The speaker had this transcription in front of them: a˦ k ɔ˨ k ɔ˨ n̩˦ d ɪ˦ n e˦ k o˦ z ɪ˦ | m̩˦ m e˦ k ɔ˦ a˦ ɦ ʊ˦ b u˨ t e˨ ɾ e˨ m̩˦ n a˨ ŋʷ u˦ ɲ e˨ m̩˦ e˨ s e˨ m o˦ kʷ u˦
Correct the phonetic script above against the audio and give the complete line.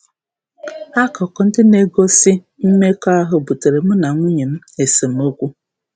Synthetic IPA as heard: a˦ k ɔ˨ k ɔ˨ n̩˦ d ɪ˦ n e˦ ɡ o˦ s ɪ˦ | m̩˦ m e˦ k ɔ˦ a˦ ɦ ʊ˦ b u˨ t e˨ ɾ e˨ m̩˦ n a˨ ŋʷ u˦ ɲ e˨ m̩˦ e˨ s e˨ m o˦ kʷ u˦